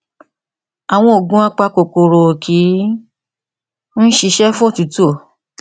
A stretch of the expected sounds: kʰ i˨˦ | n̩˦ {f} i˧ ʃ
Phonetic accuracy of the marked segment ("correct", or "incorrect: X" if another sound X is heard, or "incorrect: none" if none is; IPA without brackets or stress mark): incorrect: ʃ